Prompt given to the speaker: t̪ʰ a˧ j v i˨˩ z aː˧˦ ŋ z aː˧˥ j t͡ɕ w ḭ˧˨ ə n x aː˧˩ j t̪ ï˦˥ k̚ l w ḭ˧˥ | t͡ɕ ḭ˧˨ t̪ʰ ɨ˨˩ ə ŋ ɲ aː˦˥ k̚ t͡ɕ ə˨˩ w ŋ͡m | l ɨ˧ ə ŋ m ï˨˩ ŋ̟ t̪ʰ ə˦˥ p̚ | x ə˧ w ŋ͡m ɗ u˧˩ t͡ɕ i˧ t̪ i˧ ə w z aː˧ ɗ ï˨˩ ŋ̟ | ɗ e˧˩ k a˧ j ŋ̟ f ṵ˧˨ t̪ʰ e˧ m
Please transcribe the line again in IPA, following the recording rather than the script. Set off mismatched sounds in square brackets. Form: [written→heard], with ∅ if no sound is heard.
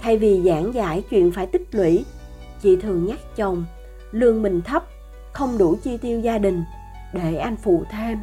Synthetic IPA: t̪ʰ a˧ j v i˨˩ z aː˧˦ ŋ z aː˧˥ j t͡ɕ w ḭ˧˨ ə n [x→f] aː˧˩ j t̪ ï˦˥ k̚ l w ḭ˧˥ | t͡ɕ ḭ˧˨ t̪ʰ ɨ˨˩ ə ŋ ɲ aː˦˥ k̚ t͡ɕ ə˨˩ w ŋ͡m | l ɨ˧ ə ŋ m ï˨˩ ŋ̟ t̪ʰ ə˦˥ p̚ | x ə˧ w ŋ͡m ɗ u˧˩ t͡ɕ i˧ t̪ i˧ ə w z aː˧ ɗ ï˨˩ ŋ̟ | ɗ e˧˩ [k→ʔ] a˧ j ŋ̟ f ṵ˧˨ t̪ʰ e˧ m